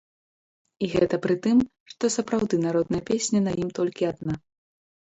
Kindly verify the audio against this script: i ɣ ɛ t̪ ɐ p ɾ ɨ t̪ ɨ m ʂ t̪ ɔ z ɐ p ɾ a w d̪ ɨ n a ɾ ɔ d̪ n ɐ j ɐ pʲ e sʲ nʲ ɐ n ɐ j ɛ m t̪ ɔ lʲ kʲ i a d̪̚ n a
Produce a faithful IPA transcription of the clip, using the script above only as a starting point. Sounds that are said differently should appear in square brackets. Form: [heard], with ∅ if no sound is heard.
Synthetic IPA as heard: i ɣ ɛ t̪ ɐ p ɾ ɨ t̪ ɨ m ʂ t̪ ɔ [s] ɐ p ɾ a w d̪ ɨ n a ɾ ɔ d̪ n ɐ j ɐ pʲ e sʲ nʲ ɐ n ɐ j [i] m t̪ ɔ lʲ kʲ i a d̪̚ n a